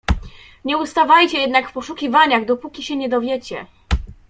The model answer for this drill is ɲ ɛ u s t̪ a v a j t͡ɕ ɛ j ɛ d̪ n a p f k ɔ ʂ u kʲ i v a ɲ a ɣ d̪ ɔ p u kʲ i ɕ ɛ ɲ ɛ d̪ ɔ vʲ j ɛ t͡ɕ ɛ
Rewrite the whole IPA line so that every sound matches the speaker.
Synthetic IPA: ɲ ɛ u s t̪ a v a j t͡ɕ ɛ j ɛ d̪ n a k f p ɔ ʂ u kʲ i v a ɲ a ɣ d̪ ɔ p u kʲ i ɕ ɛ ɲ ɛ d̪ ɔ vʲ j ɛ t͡ɕ ɛ

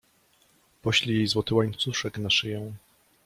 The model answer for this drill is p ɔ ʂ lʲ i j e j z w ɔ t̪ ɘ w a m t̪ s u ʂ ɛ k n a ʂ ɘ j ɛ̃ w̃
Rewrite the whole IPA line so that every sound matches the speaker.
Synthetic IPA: p ɔ ɕ lʲ i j e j z w ɔ t̪ ɘ w a ɲ t̪ s u ʂ ɛ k n a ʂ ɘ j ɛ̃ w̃

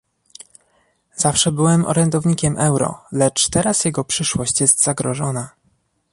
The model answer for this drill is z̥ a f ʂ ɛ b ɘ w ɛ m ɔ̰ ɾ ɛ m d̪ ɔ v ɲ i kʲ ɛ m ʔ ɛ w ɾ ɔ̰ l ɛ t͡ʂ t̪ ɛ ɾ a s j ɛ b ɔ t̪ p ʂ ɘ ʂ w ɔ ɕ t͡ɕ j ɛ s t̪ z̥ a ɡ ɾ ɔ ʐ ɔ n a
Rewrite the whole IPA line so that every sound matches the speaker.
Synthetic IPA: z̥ a f ʂ ɛ b ɘ w ɛ m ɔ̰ ɾ ɛ n d̪ ɔ v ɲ i kʲ ɛ m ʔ ɛ w ɾ ɔ̰ l ɛ t͡ʂ t̪ ɛ ɾ a s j ɛ ɡ ɔ p ʂ ɘ ʂ w ɔ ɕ t͡ɕ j ɛ s t̪ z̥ a ɡ ɾ ɔ ʐ ɔ n a

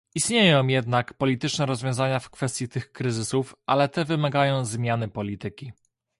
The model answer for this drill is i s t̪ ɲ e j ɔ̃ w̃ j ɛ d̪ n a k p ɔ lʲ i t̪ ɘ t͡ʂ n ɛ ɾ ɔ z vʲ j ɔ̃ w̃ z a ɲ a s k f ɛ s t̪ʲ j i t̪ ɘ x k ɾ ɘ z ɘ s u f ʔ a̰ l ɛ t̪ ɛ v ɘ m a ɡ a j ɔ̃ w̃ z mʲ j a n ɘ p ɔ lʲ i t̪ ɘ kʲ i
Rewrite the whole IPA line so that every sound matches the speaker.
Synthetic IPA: i s t̪ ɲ e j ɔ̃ w̃ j ɛ d̪ n a k p ɔ lʲ i t̪ ɘ t͡ʂ n ɛ ɾ ɔ z vʲ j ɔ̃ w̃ z a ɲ a f k f ɛ s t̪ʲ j i t̪ ɘ x k ɾ ɘ z ɘ s u f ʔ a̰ l ɛ t̪ ɛ v ɘ m a ɡ a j ɔ̃ w̃ z mʲ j a n ɘ p ɔ lʲ i t̪ ɘ kʲ i

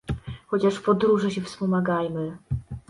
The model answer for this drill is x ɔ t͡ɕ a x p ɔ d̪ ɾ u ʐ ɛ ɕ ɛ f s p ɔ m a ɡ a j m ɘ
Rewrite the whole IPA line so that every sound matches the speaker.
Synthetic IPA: x ɔ t͡ɕ a ʂ p ɔ d̪ ɾ u ʐ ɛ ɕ ɛ f s p ɔ m a ɡ a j m ɘ

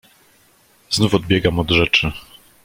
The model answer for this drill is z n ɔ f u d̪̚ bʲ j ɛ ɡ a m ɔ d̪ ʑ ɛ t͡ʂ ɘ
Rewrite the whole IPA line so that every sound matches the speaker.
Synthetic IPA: z n u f ɔ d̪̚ bʲ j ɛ ɡ a m ɔ d̪ ʐ ɛ t͡ʂ ɘ

